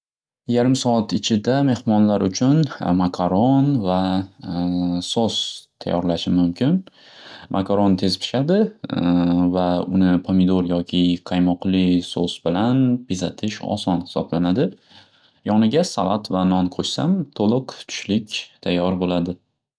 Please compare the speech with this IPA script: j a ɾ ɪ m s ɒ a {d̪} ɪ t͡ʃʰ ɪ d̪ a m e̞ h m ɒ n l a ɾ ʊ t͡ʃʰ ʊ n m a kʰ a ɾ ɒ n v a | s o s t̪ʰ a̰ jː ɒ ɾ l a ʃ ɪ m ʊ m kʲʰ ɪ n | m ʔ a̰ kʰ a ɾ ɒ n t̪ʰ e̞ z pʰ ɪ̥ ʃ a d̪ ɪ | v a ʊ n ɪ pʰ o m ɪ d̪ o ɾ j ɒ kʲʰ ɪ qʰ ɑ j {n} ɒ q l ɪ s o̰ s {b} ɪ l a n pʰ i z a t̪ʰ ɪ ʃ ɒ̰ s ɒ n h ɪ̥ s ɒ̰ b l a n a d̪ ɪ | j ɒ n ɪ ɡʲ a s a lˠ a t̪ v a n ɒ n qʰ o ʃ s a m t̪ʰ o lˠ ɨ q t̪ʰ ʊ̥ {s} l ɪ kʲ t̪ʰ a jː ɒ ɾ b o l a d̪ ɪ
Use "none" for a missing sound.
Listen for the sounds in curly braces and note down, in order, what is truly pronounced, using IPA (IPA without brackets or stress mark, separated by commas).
t̪, m, b, ʃ